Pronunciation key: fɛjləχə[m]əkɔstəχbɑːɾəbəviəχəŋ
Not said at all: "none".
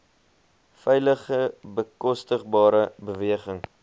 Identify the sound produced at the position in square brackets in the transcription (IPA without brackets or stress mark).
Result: b